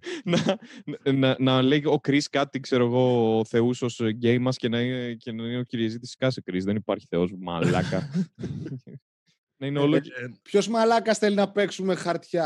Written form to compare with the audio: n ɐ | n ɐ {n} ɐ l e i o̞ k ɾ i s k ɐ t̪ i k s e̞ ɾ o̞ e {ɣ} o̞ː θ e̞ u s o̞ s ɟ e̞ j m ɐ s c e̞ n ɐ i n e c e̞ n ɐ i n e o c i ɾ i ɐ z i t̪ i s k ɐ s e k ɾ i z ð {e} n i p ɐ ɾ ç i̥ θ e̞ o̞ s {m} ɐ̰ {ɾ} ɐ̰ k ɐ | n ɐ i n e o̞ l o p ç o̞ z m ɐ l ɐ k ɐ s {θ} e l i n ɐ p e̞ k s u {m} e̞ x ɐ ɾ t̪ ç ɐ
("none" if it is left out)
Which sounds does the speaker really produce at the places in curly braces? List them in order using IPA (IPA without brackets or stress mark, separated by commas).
n, ɣ, e, m, l, θ, m